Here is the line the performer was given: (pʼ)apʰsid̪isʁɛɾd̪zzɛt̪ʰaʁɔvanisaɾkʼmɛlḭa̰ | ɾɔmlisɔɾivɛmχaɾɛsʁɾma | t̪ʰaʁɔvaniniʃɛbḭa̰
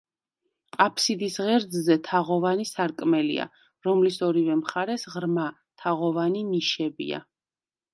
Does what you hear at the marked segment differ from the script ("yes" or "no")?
yes